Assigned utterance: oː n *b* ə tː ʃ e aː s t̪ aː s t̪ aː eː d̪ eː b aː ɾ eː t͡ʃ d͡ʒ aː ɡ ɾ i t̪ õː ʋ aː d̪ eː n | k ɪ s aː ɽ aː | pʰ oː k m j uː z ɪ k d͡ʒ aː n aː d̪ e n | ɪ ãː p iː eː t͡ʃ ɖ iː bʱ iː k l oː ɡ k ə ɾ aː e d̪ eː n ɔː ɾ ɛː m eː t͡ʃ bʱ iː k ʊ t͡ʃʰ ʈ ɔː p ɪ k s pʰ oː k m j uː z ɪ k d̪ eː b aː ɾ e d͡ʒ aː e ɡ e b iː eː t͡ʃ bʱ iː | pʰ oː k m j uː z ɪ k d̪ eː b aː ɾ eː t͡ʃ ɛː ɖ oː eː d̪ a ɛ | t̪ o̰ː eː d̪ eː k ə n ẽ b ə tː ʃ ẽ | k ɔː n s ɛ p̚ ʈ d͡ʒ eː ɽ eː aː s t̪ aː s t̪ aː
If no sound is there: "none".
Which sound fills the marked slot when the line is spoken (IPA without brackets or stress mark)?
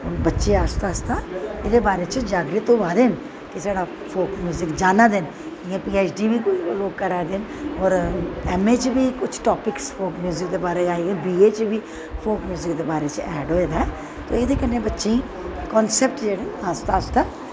b